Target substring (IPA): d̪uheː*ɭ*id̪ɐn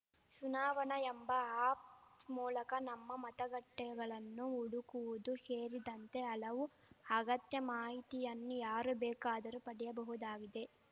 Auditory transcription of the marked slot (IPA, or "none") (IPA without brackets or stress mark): ɾ